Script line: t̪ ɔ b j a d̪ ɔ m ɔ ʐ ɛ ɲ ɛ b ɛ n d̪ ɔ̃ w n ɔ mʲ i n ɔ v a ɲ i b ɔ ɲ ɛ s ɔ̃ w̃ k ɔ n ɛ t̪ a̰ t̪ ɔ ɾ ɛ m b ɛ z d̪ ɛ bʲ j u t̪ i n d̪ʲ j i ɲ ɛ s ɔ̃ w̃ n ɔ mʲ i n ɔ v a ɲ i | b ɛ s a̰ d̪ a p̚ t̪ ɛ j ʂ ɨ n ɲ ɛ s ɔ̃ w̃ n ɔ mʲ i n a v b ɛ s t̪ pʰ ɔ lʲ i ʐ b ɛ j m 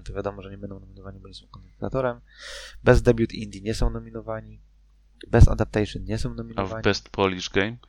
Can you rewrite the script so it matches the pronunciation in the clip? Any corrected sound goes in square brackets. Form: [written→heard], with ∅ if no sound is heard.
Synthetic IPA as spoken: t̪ ɔ [b→v] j a d̪ ɔ m ɔ ʐ ɛ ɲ ɛ b ɛ n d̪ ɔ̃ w n ɔ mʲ i n ɔ v a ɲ i b ɔ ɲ ɛ s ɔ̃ w̃ k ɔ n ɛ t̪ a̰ t̪ ɔ ɾ ɛ m b ɛ z d̪ ɛ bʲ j u t̪ i n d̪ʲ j i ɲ ɛ s ɔ̃ w̃ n ɔ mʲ i n ɔ v a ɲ i | b ɛ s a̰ d̪ a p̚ t̪ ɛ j ʂ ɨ n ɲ ɛ s ɔ̃ w̃ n ɔ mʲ i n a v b ɛ s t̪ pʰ ɔ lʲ i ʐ [b→ɡ] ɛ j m